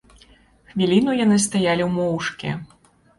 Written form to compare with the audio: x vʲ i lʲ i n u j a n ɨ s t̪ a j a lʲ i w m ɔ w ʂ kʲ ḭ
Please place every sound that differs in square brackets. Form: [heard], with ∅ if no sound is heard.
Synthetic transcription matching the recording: x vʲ i lʲ i n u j a n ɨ s t̪ a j a lʲ i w m ɔ w ʂ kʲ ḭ